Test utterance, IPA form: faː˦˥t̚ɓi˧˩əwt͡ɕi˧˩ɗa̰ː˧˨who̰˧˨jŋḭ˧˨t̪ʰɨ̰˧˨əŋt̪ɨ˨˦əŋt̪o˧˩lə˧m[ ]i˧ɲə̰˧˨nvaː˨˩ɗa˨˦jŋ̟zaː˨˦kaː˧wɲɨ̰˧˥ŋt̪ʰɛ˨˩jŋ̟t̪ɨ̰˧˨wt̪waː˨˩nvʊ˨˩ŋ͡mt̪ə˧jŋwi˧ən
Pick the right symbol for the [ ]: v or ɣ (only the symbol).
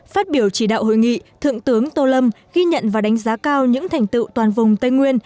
ɣ